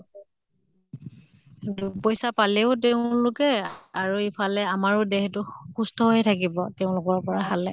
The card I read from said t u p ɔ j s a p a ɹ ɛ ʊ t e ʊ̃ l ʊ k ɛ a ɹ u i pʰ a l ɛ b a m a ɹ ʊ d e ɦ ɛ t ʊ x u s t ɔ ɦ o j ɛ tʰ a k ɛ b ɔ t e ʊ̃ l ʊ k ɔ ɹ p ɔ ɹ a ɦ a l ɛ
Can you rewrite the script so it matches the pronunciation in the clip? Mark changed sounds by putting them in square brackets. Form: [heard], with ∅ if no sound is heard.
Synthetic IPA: [d] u p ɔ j s a p a [l] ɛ ʊ t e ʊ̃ l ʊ k ɛ a ɹ u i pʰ a l ɛ [∅] a m a ɹ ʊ d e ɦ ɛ t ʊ x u s t ɔ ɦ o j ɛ tʰ a k [i] b ɔ t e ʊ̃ l ʊ k ɔ ɹ p ɔ ɹ a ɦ a l ɛ

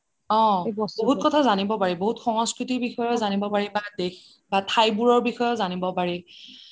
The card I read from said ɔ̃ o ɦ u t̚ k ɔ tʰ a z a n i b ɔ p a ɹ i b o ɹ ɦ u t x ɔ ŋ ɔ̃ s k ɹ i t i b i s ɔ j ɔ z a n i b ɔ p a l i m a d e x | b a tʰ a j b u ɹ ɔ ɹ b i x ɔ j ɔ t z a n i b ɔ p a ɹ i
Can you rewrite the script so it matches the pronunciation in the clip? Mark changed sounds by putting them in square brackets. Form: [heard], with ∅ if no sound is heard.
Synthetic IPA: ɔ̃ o ɦ u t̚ k ɔ tʰ a z a n i b ɔ p a ɹ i b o [∅] ɦ u t x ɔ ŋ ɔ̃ s k ɹ i t i b i [x] ɔ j ɔ z a n i b ɔ p a [ɹ] i [b] a d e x | b a tʰ a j b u ɹ ɔ ɹ b i x ɔ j ɔ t z a n i b ɔ p a ɹ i

